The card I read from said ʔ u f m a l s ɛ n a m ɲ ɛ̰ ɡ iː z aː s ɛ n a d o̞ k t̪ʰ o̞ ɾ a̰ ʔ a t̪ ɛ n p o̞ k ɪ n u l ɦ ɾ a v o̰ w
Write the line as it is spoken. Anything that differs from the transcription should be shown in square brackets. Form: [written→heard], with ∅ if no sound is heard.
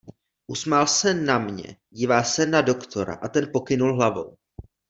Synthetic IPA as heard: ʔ u [f→s] m a l s ɛ n a m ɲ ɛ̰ [ɡ→ɟ] iː [z→v] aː s ɛ n a d o̞ k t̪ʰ o̞ ɾ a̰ ʔ a t̪ ɛ n p o̞ k ɪ n u l ɦ [ɾ→l] a v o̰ w